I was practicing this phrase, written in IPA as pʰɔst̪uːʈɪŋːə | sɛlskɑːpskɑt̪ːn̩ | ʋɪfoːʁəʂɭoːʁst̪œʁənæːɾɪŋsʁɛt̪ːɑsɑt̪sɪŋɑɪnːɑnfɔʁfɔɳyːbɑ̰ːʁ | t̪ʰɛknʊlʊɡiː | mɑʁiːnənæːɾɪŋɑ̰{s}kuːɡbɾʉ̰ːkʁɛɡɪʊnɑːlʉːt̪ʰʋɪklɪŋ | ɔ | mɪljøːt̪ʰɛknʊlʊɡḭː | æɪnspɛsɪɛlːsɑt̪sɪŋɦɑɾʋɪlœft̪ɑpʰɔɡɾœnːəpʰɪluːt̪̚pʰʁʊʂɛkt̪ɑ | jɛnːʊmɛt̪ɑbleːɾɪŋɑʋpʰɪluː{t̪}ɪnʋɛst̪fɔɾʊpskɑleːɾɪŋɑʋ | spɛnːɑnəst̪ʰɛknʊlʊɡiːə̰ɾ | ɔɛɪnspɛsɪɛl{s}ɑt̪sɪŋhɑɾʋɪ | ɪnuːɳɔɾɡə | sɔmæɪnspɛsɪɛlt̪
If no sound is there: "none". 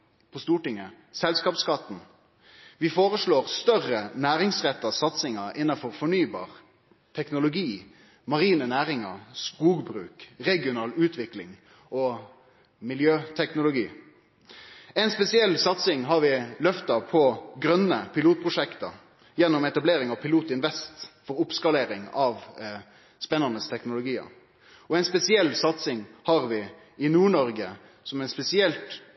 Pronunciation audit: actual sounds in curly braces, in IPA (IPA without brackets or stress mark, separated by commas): s, t̪, s